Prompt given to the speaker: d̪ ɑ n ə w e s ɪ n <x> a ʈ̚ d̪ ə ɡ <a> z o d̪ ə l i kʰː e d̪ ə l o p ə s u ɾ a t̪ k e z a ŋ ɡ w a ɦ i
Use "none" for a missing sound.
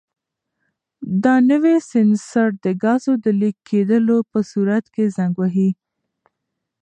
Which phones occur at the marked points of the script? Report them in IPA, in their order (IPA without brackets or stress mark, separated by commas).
s, ɑ